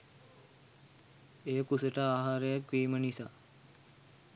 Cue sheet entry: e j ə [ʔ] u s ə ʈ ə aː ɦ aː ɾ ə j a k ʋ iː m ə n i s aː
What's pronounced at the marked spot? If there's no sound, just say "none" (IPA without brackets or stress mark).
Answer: k